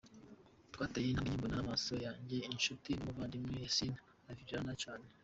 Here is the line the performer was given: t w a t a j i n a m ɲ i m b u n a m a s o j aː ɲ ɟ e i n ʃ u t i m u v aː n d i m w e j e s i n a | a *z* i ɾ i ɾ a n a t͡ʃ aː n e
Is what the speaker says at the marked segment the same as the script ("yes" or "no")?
no